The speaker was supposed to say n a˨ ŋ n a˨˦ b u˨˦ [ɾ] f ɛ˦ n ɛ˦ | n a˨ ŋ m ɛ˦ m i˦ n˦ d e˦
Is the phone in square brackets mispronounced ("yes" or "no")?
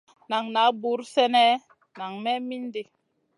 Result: no